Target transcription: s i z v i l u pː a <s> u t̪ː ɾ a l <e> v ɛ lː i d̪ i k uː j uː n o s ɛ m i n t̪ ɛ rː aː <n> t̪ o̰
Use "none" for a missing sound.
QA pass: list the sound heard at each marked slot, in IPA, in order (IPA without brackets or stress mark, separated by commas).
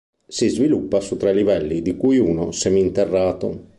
s, i, none